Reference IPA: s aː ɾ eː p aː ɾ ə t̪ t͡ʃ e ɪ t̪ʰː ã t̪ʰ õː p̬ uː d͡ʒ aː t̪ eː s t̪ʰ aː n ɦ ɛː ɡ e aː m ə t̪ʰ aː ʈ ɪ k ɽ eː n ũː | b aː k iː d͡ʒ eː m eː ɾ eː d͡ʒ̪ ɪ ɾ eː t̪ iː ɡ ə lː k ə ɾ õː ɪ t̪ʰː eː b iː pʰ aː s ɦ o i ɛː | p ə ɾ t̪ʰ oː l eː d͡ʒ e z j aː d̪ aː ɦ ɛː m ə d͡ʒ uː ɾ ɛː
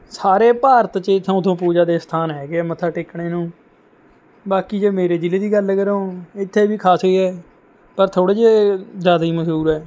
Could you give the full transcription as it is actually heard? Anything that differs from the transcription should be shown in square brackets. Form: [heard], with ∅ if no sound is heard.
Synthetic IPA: s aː ɾ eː p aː ɾ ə t̪ t͡ʃ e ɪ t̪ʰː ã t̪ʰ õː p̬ uː d͡ʒ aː [d̪] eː s t̪ʰ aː n ɦ ɛː ɡ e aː m ə t̪ʰ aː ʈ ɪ k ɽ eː n ũː | b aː k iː d͡ʒ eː m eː ɾ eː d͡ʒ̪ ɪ [l] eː [d̪] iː ɡ ə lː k ə ɾ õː ɪ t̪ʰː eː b iː [kʰ] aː s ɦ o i ɛː | p ə ɾ t̪ʰ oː [ɽ] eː d͡ʒ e z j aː d̪ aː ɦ [iː] m ə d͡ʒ uː ɾ ɛː